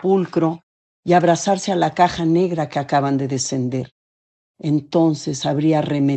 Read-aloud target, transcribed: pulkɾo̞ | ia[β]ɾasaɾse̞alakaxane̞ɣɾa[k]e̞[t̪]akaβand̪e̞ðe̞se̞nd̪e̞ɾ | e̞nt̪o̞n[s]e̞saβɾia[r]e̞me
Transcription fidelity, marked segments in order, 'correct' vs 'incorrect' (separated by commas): correct, correct, incorrect, correct, correct